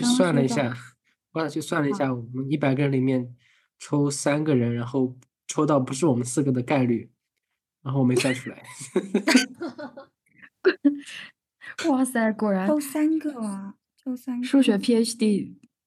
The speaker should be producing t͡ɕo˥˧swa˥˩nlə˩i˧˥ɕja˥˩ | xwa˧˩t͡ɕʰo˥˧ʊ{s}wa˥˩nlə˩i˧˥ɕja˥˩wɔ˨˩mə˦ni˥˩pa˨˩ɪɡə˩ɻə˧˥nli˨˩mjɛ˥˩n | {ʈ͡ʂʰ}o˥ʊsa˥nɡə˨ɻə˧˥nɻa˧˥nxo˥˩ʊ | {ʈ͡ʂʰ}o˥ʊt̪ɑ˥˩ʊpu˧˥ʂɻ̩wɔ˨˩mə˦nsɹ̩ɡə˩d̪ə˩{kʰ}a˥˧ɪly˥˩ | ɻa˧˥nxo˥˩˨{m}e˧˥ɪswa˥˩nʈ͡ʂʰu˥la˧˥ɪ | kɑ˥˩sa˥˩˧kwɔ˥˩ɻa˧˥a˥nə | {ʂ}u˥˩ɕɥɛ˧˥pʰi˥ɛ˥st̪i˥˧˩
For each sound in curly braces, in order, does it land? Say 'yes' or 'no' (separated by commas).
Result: yes, yes, yes, no, yes, yes